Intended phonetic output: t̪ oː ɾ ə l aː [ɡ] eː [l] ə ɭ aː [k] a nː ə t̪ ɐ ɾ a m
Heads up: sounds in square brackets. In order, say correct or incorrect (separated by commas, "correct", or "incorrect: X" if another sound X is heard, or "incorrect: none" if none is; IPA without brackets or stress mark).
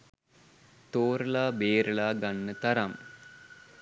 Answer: incorrect: b, incorrect: ɾ, incorrect: ɡ